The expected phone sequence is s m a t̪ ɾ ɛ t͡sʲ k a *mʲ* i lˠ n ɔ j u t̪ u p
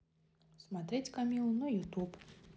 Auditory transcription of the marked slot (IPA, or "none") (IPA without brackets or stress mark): mʲ